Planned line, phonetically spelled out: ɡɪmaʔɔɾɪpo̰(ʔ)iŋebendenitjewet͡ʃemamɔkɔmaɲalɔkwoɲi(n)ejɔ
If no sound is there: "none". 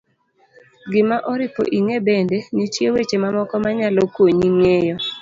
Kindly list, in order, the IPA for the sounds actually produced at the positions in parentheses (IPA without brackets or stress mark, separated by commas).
ʔ, ŋ